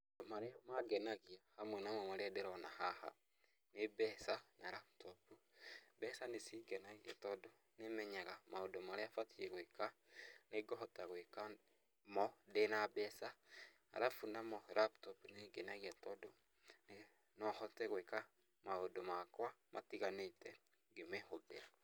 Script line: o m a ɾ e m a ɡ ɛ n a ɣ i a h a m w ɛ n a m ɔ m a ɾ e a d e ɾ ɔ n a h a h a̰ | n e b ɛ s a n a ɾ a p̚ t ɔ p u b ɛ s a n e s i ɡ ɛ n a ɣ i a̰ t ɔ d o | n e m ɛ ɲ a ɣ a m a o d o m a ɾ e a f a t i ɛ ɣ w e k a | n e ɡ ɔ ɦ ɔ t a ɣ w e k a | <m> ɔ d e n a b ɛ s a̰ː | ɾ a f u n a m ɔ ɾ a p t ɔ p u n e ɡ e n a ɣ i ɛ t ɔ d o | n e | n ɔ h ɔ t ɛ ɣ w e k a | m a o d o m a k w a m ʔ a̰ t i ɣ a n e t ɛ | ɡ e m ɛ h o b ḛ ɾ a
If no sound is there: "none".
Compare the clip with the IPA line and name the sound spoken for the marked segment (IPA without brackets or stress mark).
m